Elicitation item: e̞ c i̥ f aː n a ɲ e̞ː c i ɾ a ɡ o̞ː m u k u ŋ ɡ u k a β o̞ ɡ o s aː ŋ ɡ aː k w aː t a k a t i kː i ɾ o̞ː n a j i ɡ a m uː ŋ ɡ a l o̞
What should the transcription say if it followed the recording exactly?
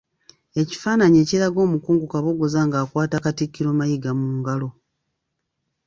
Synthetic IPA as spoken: e̞ c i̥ f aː n a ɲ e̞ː c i ɾ a ɡ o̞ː m u k uː ŋ ɡ u k a β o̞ ɡ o z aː ŋ ɡ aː k w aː t a k a t i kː i ɾ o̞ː m a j i ɡ a m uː ŋ ɡ a l o̞